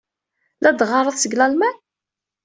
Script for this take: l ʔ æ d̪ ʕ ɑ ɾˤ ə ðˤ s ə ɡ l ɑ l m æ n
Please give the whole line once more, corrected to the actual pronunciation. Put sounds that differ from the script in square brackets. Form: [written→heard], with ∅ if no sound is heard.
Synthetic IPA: l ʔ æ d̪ [ʕ→ʁ] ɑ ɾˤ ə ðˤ s ə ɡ l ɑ l m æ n